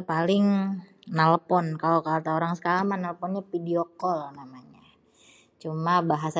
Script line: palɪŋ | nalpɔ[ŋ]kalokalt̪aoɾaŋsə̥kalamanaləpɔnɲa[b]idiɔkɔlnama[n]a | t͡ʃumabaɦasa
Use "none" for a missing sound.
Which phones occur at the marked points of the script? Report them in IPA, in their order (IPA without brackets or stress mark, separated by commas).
n, p, ɲ